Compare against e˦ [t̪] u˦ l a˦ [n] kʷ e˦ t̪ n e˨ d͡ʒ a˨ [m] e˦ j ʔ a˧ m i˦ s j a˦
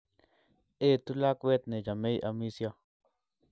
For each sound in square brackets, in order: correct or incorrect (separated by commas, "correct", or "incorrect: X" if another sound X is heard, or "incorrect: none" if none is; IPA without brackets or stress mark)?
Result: correct, incorrect: none, correct